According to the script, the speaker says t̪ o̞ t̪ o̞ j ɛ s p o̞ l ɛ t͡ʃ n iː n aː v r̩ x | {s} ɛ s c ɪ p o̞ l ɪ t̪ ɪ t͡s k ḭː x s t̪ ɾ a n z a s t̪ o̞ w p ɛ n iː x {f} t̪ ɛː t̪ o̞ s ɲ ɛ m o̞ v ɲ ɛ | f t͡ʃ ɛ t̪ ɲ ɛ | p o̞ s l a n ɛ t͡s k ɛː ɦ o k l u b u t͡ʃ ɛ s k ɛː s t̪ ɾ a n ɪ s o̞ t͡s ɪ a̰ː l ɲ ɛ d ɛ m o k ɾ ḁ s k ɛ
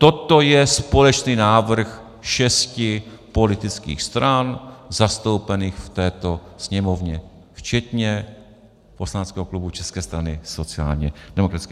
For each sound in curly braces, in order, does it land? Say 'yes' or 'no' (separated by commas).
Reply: no, yes